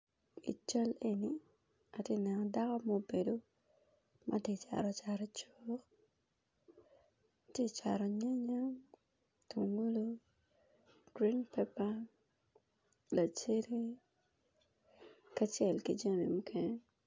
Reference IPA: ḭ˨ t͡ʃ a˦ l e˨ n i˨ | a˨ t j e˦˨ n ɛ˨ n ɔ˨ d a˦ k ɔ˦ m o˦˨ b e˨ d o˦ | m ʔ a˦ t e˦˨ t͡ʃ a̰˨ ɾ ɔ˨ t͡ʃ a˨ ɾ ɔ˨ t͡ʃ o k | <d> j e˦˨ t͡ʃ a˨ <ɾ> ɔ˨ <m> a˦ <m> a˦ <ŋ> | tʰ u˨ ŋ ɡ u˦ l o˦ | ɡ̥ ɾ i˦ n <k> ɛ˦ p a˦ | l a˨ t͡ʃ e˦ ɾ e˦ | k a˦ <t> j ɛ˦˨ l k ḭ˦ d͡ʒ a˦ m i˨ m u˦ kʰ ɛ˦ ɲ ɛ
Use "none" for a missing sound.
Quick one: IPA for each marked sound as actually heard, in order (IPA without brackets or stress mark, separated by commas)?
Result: t, ɾ, ɲ, ɲ, ŋ, p, t͡ʃ